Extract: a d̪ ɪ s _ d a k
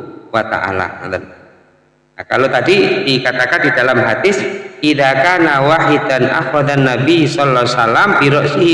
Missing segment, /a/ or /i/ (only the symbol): i